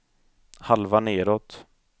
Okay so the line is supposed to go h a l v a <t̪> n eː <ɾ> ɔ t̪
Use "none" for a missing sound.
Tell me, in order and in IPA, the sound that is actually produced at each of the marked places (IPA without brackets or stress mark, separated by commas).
none, ɾ